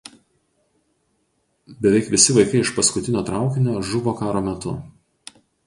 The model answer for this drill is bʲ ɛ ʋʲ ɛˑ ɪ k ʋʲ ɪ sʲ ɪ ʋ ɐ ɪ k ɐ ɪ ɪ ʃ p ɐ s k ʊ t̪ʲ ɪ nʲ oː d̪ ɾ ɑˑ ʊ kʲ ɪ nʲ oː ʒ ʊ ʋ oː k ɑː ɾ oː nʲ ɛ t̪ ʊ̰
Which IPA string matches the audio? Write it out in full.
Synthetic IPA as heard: bʲ ɛ ʋʲ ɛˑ ɪ k ʋʲ ɪ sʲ ɪ ʋ ɐ ɪ k ɐ ɪ ɪ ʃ p ɐ s k ʊ t̪ʲ ɪ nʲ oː t̪ ɾ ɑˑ ʊ kʲ ɪ nʲ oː ʒ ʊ ʋ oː k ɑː ɾ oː mʲ ɛ t̪ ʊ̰

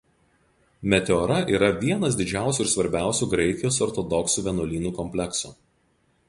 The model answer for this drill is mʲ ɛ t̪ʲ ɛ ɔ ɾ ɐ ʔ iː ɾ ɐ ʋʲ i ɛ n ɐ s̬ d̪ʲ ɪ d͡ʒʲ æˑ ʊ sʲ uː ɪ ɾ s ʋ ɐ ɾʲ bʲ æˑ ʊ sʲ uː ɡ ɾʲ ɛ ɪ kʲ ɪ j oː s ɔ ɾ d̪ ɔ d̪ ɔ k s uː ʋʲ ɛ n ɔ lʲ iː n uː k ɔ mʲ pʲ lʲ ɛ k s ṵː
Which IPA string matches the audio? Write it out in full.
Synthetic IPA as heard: mʲ ɛ t̪ʲ ɛ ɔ ɾ ɐ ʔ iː ɾ ɐ ʋʲ i ɛ n ɐ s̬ d̪ʲ ɪ d͡ʒʲ æˑ ʊ sʲ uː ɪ ɾ s ʋ ɐ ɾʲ bʲ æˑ ʊ sʲ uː ɡ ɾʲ ɛ ɪ kʲ ɪ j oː s ɔ ɾ t̪ ɔ d̪ ɔ k s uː ʋʲ ɛ n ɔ lʲ iː n uː k ɔ mʲ pʲ lʲ ɛ k s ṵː

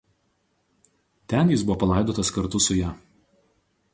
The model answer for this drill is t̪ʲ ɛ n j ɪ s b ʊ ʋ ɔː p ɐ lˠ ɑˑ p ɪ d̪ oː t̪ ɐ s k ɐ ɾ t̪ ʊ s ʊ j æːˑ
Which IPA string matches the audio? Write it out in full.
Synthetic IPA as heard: t̪ʲ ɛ n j ɪ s b ʊ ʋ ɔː p ɐ lˠ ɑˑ ɪ d̪ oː t̪ ɐ s k ɐ ɾ t̪ ʊ s ʊ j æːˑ

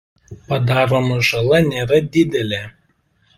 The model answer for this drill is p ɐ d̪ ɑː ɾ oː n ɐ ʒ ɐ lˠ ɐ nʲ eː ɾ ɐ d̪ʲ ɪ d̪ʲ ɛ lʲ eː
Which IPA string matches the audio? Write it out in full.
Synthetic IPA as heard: p ɐ d̪ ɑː ɾ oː m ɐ ʒ ɐ lˠ ɐ nʲ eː ɾ ɐ d̪ʲ ɪ d̪ʲ ɛ lʲ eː

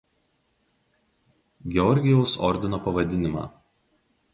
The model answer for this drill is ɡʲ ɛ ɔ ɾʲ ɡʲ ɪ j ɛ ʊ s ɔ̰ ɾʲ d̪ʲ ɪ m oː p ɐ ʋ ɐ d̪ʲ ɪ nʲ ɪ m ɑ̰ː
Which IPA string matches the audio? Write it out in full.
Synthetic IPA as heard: ɡʲ ɛ ɔ ɾʲ ɡʲ ɪ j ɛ ʊ s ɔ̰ ɾʲ d̪ʲ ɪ n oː p ɐ ʋ ɐ d̪ʲ ɪ nʲ ɪ m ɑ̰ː

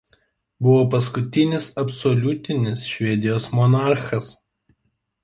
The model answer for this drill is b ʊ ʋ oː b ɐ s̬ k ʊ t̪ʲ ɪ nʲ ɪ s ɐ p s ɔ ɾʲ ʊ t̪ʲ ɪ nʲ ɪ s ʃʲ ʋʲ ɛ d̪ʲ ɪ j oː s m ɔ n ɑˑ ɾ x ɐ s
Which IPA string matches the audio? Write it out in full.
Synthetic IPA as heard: b ʊ ʋ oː p ɐ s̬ k ʊ t̪ʲ ɪ nʲ ɪ s ɐ p s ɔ lʲ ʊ t̪ʲ ɪ nʲ ɪ s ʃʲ ʋʲ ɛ d̪ʲ ɪ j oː s m ɔ n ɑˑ ɾ x ɐ s

